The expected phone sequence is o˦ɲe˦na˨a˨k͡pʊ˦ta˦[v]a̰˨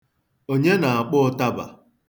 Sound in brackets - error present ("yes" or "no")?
yes